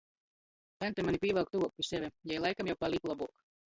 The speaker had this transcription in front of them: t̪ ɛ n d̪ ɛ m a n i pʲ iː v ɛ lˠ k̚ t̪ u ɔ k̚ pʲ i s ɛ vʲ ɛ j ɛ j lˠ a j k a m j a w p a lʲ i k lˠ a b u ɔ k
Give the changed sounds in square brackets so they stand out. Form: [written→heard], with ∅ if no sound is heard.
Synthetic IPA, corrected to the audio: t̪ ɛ n [d̪→t̪] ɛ m a n i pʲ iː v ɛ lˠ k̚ t̪ u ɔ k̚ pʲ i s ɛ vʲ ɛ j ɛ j lˠ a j k a m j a w p a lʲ i k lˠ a b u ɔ k